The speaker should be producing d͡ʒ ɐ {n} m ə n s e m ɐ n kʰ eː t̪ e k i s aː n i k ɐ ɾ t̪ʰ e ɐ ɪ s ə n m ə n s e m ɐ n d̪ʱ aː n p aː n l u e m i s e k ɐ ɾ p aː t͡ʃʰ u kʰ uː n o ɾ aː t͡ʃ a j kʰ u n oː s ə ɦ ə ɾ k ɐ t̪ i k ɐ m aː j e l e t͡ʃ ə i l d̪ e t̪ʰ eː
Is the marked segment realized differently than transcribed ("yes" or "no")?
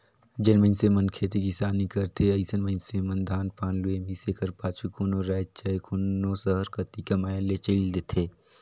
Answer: no